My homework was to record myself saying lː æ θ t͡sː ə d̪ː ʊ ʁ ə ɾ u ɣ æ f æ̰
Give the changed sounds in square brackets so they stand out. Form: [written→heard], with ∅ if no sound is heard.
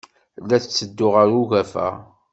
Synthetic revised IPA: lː æ θ t͡sː ə d̪ː ʊ ʁ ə ɾ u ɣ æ f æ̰